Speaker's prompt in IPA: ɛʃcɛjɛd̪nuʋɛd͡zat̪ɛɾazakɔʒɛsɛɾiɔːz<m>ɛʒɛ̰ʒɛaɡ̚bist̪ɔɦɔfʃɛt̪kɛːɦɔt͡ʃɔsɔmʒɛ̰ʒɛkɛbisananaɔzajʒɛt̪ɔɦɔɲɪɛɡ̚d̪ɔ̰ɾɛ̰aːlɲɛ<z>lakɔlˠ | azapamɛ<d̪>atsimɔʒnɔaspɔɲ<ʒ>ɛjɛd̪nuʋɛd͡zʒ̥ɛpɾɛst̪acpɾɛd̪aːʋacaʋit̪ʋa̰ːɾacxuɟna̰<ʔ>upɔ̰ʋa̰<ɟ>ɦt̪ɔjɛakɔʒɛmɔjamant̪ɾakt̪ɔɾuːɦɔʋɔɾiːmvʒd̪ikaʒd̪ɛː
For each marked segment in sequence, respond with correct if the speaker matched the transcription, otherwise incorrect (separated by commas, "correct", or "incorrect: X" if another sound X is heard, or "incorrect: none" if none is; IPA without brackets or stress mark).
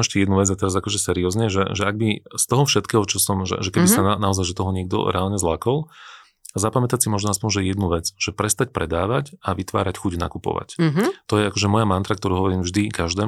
incorrect: ɲ, correct, incorrect: t̪, correct, incorrect: k, incorrect: c